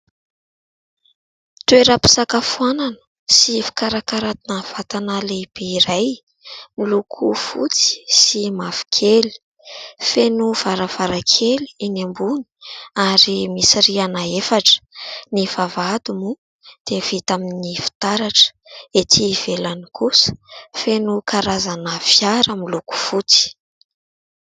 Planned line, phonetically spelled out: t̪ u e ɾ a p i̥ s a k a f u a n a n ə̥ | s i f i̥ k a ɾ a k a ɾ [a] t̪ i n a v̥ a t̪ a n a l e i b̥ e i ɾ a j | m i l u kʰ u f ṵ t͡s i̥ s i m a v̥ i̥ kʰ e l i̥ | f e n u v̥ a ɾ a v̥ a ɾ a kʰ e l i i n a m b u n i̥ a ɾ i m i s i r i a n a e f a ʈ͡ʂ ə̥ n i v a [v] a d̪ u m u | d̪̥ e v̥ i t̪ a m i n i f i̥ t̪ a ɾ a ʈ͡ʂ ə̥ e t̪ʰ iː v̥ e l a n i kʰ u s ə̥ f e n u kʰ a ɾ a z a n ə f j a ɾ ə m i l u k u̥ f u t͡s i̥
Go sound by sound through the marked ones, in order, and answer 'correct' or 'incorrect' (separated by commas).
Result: correct, correct